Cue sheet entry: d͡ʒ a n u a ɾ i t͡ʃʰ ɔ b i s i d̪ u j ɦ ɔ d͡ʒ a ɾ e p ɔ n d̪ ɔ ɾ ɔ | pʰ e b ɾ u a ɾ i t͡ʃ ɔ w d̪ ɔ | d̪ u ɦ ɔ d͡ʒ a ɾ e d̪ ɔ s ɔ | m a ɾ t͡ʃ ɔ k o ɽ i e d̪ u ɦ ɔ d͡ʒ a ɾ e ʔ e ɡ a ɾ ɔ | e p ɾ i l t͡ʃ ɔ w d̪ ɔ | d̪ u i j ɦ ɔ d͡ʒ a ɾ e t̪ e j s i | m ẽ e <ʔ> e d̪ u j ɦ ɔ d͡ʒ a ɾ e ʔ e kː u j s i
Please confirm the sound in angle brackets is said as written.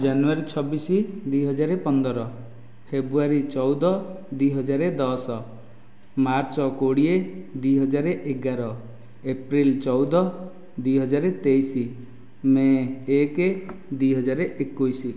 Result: no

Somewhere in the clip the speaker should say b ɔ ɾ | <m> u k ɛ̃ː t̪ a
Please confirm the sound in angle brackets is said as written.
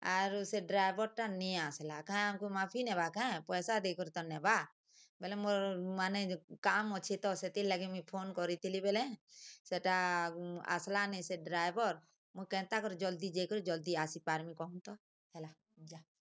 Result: yes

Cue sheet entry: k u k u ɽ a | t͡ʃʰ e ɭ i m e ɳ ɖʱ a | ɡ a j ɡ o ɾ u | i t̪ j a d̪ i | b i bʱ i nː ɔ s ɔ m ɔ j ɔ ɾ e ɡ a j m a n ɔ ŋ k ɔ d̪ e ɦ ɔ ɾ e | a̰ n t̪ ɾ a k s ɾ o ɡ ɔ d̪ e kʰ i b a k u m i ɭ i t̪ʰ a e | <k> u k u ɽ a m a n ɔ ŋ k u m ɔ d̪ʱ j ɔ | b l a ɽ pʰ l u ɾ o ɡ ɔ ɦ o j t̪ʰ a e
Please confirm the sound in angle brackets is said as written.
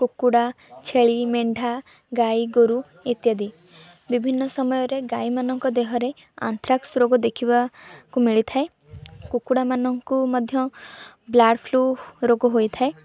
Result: yes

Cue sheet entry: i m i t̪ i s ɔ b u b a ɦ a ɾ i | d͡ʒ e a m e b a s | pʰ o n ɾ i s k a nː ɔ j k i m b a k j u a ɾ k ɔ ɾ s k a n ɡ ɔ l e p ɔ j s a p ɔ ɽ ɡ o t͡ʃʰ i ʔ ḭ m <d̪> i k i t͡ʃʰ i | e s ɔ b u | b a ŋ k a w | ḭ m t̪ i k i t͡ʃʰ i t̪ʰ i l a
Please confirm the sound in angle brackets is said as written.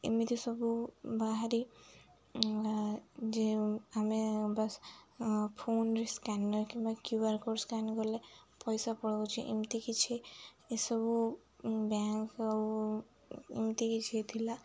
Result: no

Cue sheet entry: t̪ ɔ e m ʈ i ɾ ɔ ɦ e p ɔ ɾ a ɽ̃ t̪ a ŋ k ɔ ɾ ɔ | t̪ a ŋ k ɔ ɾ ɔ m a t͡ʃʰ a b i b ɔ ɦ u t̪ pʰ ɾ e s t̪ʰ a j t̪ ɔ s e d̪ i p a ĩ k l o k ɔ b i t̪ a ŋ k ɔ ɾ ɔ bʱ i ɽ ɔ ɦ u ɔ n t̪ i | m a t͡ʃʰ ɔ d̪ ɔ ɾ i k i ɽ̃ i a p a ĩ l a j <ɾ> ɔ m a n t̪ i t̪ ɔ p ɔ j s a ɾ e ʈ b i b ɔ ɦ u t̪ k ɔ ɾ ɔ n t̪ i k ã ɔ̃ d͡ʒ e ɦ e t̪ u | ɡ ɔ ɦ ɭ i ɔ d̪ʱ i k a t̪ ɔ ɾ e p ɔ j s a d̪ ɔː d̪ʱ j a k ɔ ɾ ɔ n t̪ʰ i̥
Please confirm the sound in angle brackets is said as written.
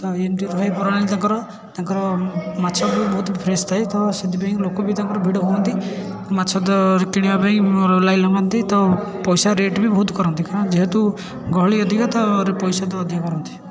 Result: no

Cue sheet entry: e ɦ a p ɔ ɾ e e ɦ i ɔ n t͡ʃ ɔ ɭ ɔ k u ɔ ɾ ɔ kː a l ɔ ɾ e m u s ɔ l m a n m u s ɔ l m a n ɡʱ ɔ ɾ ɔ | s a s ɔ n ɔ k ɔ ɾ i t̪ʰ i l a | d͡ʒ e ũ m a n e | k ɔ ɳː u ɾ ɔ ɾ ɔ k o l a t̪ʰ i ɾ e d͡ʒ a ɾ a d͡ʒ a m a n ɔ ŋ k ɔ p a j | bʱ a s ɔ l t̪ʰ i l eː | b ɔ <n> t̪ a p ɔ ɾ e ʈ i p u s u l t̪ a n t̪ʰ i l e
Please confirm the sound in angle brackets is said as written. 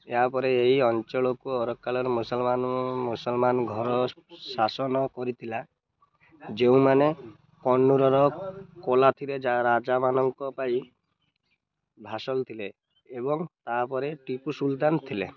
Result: no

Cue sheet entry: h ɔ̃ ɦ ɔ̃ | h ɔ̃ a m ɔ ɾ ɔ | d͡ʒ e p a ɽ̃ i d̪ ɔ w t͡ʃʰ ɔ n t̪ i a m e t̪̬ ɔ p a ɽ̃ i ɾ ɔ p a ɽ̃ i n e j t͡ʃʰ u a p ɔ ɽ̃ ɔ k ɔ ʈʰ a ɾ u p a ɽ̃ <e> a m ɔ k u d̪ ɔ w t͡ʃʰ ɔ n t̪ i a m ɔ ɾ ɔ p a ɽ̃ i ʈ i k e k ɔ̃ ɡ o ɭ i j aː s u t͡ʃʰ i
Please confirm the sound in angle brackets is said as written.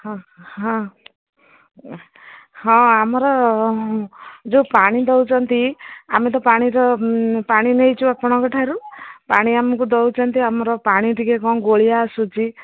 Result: no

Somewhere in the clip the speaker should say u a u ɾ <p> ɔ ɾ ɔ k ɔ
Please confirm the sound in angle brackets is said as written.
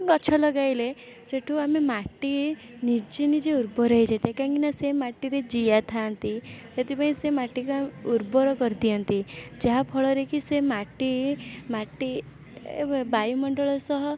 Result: no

